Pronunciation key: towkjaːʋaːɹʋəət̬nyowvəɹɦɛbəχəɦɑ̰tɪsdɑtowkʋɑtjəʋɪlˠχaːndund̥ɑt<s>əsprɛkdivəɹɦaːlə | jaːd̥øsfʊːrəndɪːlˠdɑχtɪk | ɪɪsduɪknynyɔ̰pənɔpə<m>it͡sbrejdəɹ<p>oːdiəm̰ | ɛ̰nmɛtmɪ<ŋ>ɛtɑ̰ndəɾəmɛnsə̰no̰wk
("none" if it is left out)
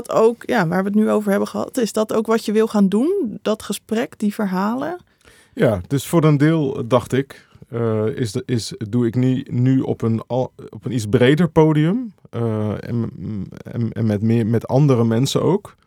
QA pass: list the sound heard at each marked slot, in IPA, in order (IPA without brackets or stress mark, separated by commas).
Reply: χ, n, p, m